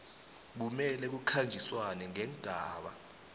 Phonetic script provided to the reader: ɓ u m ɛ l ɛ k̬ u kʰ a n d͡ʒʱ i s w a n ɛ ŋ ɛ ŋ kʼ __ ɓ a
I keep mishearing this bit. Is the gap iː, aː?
aː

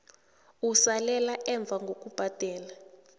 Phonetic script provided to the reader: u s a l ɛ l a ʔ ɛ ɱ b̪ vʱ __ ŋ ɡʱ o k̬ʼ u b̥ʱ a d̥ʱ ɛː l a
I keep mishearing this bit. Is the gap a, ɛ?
a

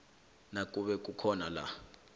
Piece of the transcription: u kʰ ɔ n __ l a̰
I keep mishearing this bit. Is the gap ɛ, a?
a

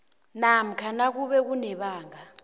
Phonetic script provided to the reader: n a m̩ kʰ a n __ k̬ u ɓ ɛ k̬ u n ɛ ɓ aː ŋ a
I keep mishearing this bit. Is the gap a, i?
a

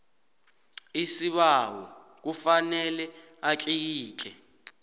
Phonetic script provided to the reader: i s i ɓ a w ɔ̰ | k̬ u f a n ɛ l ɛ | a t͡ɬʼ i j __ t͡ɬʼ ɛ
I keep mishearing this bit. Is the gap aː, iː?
iː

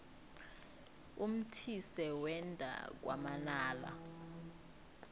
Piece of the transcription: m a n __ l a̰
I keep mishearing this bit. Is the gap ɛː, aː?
aː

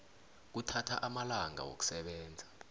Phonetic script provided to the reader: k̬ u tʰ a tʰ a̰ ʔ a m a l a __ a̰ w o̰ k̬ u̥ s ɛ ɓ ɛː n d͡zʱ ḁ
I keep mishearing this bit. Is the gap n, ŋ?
ŋ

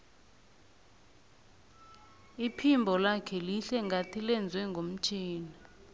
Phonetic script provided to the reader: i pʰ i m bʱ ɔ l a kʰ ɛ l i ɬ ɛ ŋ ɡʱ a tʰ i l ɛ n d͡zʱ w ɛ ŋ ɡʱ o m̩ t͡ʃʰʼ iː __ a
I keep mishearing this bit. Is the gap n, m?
n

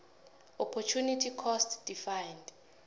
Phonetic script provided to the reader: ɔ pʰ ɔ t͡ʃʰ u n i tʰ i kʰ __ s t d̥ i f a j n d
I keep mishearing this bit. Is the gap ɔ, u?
ɔ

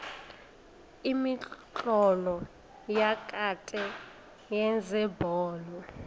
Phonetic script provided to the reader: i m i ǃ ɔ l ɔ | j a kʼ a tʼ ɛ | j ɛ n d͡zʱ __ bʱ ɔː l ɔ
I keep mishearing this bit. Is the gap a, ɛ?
ɛ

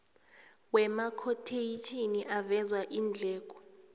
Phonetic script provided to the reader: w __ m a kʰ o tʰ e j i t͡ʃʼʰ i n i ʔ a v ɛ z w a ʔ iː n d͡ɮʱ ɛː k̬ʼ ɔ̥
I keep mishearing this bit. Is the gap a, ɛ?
ɛ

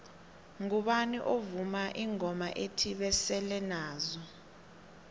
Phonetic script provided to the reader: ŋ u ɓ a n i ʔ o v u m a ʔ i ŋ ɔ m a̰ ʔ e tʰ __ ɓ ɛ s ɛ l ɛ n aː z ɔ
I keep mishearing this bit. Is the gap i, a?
i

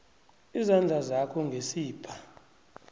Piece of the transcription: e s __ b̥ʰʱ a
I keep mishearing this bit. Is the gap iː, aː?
iː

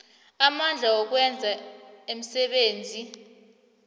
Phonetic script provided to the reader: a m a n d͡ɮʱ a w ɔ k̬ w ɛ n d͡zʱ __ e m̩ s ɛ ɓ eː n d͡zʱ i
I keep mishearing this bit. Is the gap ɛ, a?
a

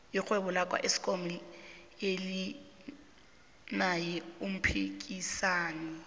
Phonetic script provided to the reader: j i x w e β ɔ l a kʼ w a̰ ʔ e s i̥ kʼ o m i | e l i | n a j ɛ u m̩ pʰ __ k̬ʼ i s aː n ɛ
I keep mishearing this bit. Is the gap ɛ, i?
i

